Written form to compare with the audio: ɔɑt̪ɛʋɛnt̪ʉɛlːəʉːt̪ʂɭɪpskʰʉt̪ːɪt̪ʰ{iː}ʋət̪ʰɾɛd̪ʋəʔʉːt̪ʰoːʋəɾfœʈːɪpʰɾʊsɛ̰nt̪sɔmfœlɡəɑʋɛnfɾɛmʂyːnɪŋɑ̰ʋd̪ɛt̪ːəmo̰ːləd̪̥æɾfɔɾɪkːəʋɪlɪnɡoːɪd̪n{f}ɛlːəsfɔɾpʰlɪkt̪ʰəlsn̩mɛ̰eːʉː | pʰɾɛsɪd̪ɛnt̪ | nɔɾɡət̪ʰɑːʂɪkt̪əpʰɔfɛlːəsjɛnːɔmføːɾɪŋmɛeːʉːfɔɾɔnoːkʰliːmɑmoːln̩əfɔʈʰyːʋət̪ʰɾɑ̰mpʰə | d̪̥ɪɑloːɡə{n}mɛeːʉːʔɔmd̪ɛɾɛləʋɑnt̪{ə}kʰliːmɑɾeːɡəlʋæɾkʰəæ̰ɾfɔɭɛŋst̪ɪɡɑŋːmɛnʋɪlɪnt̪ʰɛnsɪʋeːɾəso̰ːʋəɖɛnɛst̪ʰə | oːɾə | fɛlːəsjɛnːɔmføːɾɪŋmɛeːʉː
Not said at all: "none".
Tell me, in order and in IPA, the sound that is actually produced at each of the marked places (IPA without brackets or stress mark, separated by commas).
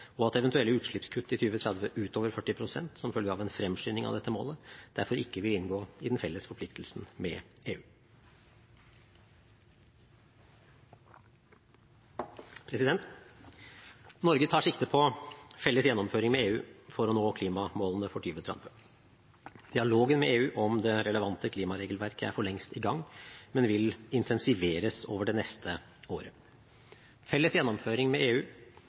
yː, f, n, ə